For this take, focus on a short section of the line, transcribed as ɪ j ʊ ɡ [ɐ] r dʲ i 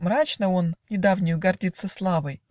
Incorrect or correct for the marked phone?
correct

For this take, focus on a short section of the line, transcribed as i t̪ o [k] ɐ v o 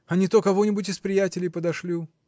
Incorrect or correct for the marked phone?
correct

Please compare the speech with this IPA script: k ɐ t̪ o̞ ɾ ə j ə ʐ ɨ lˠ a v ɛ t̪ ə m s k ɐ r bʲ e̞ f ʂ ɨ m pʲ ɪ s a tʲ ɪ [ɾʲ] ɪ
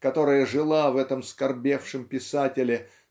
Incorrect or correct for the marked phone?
incorrect: lʲ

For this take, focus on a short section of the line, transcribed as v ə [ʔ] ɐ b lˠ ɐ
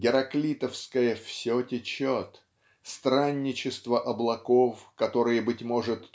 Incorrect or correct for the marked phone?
correct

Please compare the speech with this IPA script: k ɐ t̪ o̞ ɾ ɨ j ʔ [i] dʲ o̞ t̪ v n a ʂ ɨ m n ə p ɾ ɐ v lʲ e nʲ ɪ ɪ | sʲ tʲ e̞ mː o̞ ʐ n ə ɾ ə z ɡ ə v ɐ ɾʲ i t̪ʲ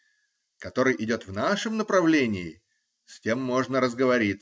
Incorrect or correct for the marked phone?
incorrect: ɪ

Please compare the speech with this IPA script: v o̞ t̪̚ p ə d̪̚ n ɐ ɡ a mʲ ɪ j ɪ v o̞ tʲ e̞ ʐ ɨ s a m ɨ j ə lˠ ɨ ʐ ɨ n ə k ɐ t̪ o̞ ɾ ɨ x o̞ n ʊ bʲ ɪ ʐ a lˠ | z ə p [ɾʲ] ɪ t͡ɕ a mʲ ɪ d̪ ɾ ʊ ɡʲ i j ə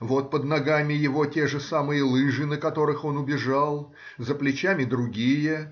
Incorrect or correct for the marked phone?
incorrect: lʲ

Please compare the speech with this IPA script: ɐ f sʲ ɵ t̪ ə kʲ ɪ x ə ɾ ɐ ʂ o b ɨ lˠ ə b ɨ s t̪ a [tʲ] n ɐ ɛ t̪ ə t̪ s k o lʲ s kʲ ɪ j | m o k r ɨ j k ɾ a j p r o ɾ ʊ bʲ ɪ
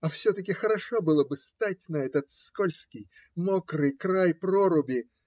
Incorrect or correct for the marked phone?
correct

